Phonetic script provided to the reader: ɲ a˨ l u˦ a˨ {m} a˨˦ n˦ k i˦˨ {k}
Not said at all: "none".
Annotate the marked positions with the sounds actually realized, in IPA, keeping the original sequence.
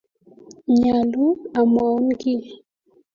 m, none

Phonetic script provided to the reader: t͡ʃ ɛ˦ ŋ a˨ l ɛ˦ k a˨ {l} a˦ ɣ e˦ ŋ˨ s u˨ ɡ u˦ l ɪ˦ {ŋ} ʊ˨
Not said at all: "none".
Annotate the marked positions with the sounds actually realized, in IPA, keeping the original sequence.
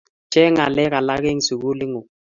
l, ŋ

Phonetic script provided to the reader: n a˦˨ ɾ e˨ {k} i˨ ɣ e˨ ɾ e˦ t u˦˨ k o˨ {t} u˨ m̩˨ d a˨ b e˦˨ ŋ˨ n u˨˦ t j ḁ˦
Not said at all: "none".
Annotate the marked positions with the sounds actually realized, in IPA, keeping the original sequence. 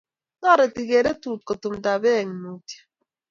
t, t

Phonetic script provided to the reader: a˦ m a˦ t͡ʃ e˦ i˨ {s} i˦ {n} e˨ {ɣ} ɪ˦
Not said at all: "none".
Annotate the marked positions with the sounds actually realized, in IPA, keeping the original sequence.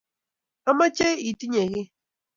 t, ɲ, ɣ

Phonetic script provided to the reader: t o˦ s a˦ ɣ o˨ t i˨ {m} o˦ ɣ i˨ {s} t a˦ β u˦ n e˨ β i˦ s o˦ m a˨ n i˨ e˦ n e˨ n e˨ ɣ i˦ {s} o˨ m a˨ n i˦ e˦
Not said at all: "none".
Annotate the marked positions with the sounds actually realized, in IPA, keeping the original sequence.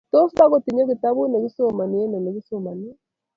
ɲ, none, s

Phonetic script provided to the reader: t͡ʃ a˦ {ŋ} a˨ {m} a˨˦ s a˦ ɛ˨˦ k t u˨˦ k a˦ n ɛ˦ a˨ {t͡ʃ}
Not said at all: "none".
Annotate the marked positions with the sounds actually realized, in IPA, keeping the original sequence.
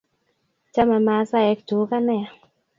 m, m, none

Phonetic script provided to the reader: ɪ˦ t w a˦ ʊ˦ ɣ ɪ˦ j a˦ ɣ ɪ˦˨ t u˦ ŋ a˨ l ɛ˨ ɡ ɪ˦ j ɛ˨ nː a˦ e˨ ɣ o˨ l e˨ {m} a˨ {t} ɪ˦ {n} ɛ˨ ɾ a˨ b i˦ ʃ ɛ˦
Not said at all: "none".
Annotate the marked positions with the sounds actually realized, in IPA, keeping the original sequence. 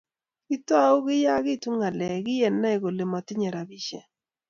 m, t, ɲ

